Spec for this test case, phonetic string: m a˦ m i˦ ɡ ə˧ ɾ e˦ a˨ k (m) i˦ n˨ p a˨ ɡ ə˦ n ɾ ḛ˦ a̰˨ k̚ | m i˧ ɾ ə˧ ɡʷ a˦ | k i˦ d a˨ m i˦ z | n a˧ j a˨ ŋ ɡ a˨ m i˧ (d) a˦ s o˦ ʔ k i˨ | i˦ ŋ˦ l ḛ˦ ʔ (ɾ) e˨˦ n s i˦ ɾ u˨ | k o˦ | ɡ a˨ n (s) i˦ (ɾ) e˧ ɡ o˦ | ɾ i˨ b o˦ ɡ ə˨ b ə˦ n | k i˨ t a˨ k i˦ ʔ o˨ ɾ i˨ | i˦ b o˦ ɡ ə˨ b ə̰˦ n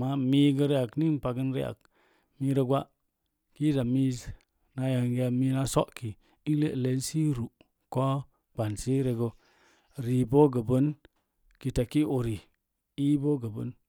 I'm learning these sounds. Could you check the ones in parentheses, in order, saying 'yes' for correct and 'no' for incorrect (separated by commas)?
no, no, no, yes, yes